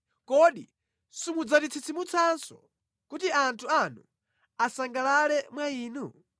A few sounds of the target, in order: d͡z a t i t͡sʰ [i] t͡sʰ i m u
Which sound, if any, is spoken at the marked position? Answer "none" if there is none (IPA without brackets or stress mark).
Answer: i